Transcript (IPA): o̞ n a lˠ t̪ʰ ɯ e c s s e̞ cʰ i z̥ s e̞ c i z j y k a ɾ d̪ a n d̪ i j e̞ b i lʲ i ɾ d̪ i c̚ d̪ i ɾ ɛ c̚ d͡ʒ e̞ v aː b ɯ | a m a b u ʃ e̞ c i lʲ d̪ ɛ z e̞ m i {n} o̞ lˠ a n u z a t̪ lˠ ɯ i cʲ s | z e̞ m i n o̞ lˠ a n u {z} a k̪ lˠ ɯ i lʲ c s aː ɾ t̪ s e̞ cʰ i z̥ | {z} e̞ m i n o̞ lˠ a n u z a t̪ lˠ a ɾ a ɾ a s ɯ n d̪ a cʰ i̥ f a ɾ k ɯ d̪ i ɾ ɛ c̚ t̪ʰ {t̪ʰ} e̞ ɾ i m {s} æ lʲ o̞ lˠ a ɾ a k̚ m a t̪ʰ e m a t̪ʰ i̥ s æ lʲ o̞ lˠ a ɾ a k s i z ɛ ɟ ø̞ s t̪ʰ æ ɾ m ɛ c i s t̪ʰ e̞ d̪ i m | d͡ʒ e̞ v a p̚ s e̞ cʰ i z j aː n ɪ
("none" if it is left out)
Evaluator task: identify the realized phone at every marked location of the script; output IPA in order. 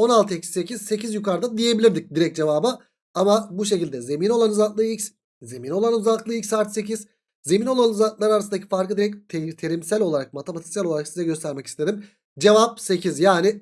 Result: n, z, z, t̪ʰ, s

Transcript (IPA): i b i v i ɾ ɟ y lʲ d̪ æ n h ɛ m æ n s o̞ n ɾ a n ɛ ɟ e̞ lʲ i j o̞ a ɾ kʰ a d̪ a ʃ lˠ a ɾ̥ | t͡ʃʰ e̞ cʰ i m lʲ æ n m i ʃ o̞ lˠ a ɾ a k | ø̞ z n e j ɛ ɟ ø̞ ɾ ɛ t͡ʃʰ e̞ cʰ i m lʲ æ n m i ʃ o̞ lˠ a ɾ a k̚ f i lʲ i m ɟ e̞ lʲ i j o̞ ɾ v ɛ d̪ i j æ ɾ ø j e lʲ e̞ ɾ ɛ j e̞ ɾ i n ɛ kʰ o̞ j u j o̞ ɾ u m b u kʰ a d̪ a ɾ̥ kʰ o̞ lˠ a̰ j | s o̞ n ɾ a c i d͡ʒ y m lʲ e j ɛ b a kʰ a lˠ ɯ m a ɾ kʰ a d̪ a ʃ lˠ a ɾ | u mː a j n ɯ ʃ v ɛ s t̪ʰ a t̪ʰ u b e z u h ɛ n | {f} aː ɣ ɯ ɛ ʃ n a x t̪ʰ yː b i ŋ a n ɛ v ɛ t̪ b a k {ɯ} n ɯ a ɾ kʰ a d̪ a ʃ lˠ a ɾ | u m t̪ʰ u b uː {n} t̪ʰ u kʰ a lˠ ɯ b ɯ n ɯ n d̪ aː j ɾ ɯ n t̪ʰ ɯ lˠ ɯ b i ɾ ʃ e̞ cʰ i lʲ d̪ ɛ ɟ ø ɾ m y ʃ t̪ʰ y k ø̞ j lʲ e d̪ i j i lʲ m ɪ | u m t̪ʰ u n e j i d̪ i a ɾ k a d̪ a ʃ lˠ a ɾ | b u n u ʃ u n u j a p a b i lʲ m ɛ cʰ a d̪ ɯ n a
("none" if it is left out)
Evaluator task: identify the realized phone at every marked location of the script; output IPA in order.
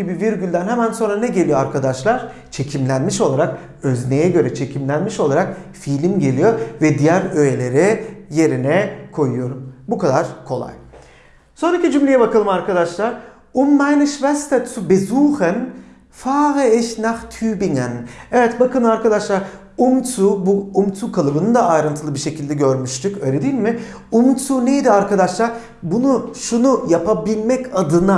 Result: f, ɯ, m

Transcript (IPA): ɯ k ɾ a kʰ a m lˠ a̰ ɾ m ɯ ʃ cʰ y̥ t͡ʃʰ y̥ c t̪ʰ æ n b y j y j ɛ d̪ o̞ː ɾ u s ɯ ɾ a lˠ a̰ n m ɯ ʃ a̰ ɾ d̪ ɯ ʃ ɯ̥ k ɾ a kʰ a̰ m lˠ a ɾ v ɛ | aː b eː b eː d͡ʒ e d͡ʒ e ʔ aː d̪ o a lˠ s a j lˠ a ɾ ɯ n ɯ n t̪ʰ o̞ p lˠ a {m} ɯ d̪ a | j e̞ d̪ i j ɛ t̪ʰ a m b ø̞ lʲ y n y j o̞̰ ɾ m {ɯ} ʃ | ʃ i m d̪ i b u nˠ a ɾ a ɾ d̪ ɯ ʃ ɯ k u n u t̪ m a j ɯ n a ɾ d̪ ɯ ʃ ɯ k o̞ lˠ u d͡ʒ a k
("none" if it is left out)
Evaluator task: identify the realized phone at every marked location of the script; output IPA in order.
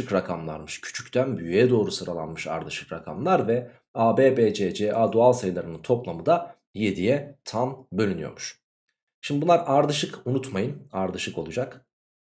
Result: m, u

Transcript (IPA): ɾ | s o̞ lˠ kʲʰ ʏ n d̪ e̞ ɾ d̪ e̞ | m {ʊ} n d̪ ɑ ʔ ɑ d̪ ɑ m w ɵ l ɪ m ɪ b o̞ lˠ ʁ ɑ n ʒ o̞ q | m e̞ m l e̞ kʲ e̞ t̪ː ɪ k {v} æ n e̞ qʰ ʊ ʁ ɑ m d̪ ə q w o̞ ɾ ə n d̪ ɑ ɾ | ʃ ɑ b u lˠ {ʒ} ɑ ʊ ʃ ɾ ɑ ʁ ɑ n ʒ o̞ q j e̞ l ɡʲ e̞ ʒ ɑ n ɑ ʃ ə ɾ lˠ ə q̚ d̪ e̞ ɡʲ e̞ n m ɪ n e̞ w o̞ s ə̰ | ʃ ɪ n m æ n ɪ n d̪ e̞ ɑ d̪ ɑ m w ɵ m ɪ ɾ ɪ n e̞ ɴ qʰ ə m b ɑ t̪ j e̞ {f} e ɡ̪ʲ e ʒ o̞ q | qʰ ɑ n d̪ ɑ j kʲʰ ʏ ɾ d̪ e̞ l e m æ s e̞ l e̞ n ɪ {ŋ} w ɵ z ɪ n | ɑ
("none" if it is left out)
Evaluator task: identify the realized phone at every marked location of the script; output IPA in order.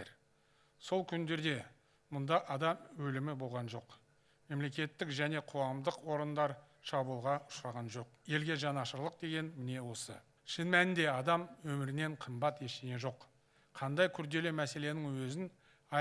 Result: ʊ, ʒ, ʁ, ʃ, ŋ

